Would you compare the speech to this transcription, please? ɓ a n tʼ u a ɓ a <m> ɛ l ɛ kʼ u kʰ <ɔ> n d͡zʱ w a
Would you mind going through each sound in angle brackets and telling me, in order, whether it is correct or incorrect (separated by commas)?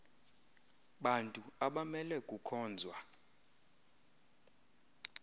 correct, incorrect